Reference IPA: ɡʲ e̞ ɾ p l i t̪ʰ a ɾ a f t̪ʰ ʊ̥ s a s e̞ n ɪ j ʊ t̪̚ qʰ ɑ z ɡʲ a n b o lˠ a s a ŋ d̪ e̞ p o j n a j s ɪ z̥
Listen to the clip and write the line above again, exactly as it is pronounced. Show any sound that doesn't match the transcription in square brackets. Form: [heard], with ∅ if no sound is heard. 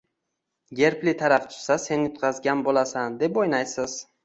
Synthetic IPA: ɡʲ e̞ ɾ p l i t̪ʰ a ɾ a f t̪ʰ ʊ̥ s a s e̞ n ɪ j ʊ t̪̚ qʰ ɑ z ɡʲ a n b o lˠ a s a [n] d̪ e̞ p o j n a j s ɪ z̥